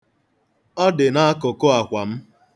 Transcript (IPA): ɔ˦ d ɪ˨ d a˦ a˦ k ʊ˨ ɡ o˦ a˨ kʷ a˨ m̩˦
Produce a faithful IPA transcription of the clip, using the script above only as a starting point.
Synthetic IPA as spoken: ɔ˦ d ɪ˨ n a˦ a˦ k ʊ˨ k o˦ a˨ kʷ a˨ m̩˦